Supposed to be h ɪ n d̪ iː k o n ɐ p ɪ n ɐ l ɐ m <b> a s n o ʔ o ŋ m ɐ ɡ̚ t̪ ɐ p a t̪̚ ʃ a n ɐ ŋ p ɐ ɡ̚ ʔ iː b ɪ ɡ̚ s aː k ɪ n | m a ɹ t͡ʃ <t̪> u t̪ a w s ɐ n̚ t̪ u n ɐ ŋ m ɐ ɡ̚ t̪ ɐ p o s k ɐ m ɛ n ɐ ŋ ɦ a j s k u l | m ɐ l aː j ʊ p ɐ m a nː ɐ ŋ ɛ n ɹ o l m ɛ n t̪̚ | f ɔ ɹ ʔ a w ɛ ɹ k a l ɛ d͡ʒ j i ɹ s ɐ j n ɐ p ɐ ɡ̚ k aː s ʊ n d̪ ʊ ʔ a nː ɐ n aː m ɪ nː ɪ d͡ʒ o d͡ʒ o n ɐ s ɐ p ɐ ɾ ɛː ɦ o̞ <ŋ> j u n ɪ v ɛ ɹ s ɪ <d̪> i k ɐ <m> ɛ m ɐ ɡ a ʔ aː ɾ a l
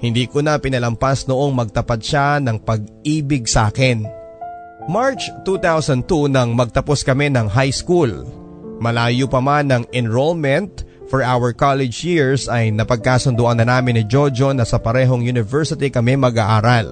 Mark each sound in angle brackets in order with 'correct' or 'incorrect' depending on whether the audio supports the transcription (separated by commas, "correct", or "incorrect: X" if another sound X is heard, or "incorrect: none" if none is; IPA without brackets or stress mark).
incorrect: p, correct, correct, incorrect: t̪, correct